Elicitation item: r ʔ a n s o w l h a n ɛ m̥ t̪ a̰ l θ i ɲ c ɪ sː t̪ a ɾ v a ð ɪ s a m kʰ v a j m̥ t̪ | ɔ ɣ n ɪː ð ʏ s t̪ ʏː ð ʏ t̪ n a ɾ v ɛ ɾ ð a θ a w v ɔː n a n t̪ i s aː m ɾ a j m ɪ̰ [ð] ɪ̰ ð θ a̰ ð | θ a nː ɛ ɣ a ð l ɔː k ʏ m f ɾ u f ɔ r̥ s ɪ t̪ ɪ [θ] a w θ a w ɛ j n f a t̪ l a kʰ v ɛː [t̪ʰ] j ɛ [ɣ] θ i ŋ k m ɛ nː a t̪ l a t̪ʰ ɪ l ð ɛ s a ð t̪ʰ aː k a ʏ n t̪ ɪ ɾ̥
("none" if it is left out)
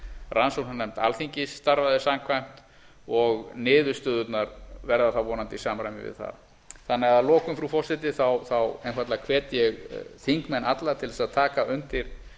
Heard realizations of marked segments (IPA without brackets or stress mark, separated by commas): v, θ, t̪, ɣ